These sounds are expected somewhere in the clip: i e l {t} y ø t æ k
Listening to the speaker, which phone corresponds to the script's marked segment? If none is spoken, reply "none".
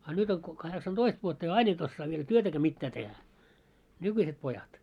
t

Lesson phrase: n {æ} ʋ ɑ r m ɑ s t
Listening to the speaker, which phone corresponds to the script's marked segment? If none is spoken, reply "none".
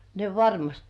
e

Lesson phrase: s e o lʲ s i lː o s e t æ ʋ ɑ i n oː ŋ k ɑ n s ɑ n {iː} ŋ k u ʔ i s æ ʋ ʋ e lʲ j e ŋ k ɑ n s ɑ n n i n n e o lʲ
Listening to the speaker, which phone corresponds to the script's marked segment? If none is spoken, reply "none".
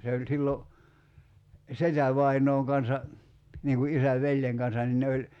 iː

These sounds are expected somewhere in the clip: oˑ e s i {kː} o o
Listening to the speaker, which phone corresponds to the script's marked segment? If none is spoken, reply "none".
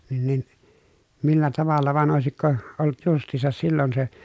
kː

